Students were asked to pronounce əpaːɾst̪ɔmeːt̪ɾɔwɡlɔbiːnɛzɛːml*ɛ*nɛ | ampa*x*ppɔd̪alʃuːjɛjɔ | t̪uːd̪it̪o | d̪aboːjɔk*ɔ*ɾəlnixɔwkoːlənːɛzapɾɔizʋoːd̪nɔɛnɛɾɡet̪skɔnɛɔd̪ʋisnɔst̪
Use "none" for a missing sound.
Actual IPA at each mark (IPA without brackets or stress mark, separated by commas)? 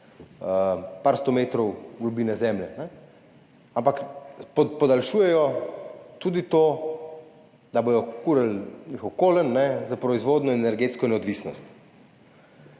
ɛ, k, u